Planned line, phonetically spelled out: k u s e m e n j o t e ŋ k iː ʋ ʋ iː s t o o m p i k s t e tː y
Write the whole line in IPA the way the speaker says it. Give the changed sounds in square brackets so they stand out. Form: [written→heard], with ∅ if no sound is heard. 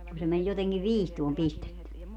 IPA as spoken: k u s e m e n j o t e ŋ k [iː→i] ʋ ʋ iː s t [o→u] o m p i [k→∅] s t e tː y